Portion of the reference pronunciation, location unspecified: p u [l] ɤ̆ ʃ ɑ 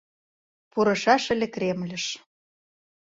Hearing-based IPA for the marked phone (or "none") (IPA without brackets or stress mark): ɾ